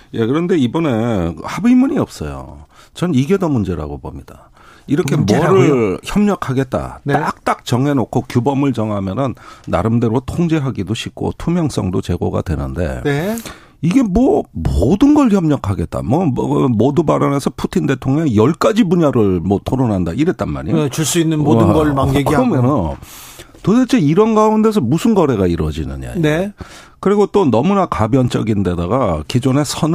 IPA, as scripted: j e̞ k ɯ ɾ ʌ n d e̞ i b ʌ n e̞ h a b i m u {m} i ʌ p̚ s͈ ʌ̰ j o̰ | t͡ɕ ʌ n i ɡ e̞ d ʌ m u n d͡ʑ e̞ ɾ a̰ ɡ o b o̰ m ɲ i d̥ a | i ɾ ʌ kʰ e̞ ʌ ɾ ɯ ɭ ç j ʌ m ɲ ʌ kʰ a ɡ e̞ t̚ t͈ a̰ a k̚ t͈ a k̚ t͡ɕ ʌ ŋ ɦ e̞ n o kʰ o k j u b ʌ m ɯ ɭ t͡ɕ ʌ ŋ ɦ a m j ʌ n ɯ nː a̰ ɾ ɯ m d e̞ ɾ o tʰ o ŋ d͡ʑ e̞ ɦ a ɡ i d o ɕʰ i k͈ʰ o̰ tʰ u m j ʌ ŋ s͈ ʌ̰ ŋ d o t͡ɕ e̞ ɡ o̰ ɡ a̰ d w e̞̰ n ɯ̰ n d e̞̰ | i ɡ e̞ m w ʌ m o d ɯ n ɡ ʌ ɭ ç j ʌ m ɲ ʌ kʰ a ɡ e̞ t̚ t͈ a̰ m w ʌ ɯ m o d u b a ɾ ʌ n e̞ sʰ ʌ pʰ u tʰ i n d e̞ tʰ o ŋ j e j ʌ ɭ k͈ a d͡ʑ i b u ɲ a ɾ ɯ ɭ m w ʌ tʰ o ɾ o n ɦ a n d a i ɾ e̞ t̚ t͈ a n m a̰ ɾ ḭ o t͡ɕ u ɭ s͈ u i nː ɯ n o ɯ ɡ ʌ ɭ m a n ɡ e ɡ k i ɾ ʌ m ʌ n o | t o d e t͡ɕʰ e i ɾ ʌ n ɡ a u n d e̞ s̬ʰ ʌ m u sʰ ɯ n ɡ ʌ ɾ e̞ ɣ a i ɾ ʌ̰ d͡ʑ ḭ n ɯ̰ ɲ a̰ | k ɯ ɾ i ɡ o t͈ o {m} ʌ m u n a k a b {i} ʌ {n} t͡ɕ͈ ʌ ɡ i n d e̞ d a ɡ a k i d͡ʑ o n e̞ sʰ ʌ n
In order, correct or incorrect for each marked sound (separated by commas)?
incorrect, incorrect, incorrect, correct